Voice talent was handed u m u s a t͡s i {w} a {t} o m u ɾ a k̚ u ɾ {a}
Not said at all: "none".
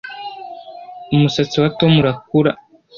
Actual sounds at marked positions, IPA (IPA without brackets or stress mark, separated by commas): w, t, a